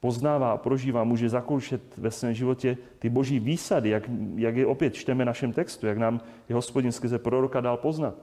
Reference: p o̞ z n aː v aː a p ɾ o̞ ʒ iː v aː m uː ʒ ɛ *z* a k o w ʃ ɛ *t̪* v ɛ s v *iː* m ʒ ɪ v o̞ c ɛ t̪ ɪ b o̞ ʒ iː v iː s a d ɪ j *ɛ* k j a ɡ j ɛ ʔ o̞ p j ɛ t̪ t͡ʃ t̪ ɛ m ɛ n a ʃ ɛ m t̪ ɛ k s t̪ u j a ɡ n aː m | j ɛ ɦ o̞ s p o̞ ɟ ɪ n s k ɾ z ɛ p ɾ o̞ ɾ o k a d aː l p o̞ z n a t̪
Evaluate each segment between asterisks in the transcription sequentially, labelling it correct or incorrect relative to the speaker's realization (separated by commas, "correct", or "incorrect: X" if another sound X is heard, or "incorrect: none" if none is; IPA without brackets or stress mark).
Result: correct, correct, incorrect: ɛː, incorrect: a